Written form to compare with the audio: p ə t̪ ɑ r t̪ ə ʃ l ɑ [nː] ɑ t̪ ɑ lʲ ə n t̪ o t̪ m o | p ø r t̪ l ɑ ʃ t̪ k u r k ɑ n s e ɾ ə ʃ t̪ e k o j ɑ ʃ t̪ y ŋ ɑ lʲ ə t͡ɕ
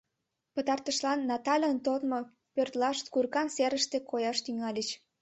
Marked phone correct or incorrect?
correct